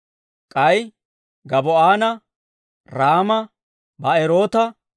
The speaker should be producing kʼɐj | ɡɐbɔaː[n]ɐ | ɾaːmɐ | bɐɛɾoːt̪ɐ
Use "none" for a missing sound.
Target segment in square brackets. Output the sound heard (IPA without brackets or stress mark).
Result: n